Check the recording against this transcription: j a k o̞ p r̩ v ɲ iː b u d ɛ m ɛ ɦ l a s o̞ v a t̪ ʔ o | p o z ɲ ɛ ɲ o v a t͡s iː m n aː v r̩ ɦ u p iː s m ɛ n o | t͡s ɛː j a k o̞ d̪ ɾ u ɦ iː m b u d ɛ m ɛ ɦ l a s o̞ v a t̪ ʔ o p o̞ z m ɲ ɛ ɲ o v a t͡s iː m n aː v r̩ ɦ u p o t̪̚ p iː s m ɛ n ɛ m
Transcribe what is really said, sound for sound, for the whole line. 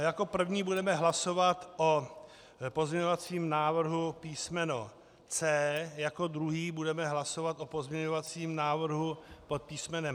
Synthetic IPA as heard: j a k o̞ p r̩ v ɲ iː b u d ɛ m ɛ ɦ l a s o̞ v a t̪ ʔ o | p o z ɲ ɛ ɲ o v a t͡s iː m n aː v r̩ ɦ u p iː s m ɛ n o | t͡s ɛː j a k o̞ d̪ ɾ u ɦ iː b u d ɛ m ɛ ɦ l a s o̞ v a t̪ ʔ o p o̞ z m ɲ ɛ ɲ o v a t͡s iː m n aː v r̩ ɦ u p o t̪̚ p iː s m ɛ n ɛ m

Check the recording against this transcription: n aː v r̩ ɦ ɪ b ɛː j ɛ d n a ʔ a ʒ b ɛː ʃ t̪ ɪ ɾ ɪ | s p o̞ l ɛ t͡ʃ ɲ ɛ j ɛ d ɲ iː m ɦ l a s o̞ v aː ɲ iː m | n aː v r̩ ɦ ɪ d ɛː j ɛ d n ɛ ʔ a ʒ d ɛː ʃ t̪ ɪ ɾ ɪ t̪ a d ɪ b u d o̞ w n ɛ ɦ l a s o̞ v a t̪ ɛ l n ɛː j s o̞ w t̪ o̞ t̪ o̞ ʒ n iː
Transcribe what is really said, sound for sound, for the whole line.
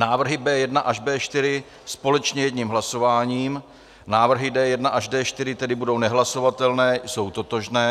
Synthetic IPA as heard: n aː v r̩ ɦ ɪ b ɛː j ɛ d n a ʔ a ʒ b ɛː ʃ t̪ ɪ ɾ ɪ | s p o̞ l ɛ t͡ʃ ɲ ɛ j ɛ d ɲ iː m ɦ l a s o̞ v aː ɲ iː m | n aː v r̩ ɦ ɪ d ɛː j ɛ d n a ʔ a ʒ d ɛː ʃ t̪ ɪ ɾ ɪ t̪ ɛ d ɪ b u d o̞ w n ɛ ɦ l a s o̞ v a t̪ ɛ l n ɛː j s o̞ w t̪ o̞ t̪ o̞ ʒ n ɛː

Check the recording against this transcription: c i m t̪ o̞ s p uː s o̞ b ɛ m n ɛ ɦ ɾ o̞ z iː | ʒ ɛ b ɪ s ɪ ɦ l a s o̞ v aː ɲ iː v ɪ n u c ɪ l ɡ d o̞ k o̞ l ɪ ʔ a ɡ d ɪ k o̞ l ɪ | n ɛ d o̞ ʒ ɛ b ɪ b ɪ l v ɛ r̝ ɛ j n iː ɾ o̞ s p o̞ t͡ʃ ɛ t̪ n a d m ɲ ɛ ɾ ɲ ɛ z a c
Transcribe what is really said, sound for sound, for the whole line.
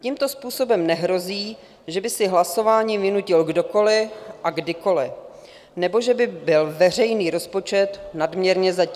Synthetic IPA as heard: c i m t̪ o̞ s p uː s o̞ b ɛ m n ɛ ɦ ɾ o̞ z iː | ʒ ɛ b ɪ s ɪ ɦ l a s o̞ v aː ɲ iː v ɪ n u c ɪ l ɡ d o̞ k o̞ l ɪ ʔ a ɡ d ɪ k o̞ l ɪ | n ɛ b o̞ ʒ ɛ b ɪ b ɪ l v ɛ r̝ ɛ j n iː ɾ o̞ s p o̞ t͡ʃ ɛ t̪ n a d m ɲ ɛ ɾ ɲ ɛ z a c

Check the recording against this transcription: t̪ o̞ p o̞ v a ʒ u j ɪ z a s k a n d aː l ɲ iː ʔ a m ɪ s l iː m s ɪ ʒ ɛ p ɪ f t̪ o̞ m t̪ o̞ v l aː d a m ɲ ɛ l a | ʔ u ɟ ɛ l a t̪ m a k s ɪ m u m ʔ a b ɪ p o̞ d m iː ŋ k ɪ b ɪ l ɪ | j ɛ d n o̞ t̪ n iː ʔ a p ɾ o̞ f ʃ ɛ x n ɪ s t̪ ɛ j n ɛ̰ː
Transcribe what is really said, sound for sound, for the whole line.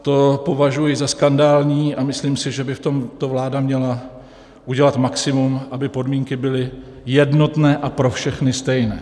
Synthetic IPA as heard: t̪ o̞ p o̞ v a ʒ u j ɪ z a s k a n d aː l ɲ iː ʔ a m ɪ s l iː m s ɪ ʒ ɛ b ɪ f t̪ o̞ m t̪ o̞ v l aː d a m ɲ ɛ l a | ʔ u ɟ ɛ l a t̪ m a k s ɪ m u m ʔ a b ɪ p o̞ d m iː ŋ k ɪ b ɪ l ɪ | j ɛ d n o̞ t̪ n ɛː ʔ a p ɾ o̞ f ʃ ɛ x n ɪ s t̪ ɛ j n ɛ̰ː

